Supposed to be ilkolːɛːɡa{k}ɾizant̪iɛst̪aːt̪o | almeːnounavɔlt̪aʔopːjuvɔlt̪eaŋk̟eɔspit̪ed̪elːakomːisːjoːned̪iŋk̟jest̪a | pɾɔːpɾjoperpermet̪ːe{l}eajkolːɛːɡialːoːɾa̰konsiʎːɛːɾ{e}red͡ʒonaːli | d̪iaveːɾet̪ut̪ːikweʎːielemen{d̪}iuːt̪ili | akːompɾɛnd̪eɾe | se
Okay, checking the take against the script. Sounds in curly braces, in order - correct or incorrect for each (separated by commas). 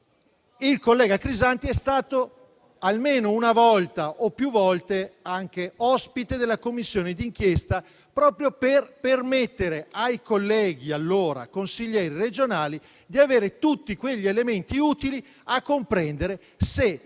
correct, incorrect, incorrect, incorrect